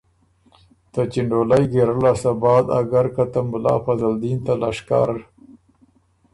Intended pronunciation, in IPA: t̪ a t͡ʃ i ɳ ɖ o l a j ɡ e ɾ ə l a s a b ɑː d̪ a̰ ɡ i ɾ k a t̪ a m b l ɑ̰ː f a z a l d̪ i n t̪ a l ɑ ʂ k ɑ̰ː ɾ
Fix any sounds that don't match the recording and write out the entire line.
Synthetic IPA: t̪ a t͡ʃ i ɳ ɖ o l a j ɡ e ɾ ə l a s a b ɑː d̪ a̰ ɡ a ɾ k a t̪ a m b l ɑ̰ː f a z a l d̪ i n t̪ a l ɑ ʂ k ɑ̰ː ɾ